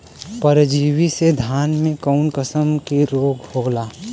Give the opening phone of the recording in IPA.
p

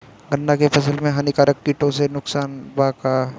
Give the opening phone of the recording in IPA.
ɡ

